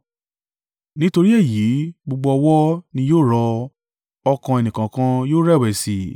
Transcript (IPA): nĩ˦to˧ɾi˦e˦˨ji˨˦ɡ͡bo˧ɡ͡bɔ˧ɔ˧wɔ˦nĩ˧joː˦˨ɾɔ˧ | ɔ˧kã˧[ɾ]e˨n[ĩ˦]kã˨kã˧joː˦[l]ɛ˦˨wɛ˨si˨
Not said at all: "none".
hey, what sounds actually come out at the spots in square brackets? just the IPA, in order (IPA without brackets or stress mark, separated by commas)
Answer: none, ĩ˨, ɾ